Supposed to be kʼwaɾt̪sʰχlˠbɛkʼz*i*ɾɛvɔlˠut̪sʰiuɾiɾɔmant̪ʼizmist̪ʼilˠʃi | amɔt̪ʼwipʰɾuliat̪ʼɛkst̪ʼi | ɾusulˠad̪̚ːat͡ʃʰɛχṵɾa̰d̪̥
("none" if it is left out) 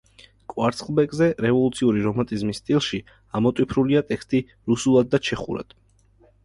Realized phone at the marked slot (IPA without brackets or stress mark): ɛ